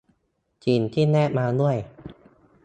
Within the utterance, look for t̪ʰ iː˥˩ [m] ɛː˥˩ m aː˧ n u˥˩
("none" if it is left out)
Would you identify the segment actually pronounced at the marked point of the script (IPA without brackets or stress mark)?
n